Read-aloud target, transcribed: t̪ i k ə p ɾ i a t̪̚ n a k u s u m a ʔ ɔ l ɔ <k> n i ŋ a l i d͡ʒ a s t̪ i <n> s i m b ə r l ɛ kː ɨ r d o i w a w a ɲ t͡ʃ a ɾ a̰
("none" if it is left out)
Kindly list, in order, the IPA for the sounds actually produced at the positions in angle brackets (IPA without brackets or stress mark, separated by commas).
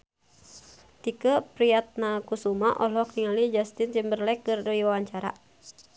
k, n